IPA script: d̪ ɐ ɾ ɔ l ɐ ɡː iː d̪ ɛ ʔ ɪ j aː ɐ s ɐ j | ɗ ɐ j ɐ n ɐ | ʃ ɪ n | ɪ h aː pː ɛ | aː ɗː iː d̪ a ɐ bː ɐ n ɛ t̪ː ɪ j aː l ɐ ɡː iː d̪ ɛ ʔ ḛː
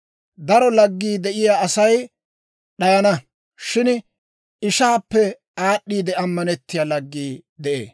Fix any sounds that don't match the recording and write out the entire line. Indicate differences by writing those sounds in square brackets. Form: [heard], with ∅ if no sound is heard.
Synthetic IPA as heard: d̪ ɐ ɾ ɔ l ɐ ɡː iː d̪ ɛ ʔ ɪ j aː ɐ s ɐ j | ɗ ɐ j ɐ n ɐ | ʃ ɪ n | ɪ [ʃ] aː pː ɛ | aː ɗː iː d̪ [ɛ] ɐ [mː] ɐ n ɛ t̪ː ɪ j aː l ɐ ɡː iː d̪ ɛ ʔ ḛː